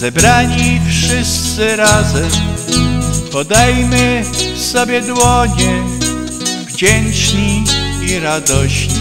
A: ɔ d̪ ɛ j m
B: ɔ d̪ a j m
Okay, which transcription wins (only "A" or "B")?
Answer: B